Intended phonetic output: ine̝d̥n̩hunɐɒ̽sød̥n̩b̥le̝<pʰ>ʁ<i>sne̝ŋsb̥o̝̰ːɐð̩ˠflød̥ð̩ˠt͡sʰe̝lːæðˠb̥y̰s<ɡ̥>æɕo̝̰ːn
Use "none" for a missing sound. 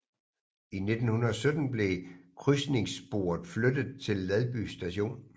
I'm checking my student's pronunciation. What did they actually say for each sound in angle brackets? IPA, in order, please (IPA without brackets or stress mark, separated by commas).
kʰ, y, d̥